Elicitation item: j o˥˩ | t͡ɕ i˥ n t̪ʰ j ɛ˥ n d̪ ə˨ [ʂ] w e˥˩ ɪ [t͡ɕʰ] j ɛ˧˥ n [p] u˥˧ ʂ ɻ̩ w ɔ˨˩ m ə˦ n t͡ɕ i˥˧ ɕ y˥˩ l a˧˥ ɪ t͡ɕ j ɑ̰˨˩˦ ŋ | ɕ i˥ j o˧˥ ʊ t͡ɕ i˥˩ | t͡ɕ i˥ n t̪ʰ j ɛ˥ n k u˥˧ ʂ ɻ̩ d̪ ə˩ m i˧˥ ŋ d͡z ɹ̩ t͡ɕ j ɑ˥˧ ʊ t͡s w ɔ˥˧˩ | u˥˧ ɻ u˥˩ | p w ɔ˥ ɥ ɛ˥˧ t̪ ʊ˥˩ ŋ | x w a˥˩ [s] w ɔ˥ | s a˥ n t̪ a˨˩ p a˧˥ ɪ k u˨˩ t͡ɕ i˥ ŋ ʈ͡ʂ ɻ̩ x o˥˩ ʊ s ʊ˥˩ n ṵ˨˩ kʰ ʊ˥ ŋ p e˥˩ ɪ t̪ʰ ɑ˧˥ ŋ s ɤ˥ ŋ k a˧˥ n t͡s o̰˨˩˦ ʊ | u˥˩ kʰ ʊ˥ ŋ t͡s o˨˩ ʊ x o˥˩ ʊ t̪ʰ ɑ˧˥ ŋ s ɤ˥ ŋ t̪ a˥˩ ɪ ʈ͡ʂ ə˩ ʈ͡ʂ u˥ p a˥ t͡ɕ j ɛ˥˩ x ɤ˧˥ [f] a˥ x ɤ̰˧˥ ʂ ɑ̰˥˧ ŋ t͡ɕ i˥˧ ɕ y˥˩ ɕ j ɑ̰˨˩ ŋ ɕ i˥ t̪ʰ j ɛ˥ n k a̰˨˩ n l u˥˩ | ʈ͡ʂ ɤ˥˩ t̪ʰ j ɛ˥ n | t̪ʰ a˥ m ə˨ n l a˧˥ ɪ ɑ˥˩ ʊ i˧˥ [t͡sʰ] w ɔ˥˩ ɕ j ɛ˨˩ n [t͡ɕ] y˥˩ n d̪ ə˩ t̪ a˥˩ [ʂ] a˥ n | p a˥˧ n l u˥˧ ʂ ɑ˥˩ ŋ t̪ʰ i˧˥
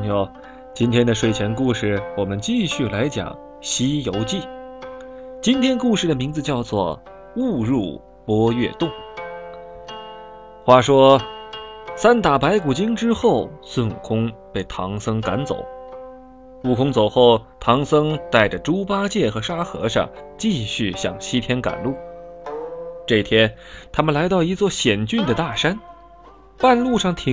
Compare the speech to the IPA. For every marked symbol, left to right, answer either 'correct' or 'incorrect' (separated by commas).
correct, correct, incorrect, incorrect, incorrect, incorrect, correct, correct